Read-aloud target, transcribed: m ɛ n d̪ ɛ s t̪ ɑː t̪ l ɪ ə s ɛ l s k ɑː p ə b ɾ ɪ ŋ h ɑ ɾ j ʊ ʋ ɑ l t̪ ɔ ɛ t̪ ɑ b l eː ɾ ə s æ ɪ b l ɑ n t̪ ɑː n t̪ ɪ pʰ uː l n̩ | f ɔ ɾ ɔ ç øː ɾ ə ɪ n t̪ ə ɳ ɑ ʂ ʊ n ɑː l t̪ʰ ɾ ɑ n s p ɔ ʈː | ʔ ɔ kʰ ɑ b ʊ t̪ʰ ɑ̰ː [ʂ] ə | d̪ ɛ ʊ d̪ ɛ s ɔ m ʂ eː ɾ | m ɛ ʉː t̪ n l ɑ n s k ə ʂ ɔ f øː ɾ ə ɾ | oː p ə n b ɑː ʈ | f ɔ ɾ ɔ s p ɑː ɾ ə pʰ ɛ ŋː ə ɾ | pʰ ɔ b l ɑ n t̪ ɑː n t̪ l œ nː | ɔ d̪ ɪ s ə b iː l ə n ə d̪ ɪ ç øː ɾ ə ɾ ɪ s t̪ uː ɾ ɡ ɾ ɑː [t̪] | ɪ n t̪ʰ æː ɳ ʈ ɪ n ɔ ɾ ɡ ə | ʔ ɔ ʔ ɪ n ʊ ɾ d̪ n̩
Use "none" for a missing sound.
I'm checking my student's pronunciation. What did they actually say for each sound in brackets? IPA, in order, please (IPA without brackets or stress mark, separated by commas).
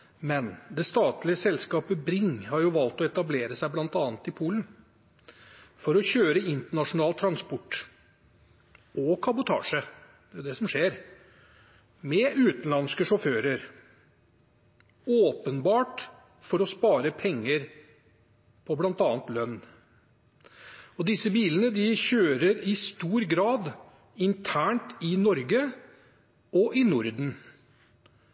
ʂ, d̪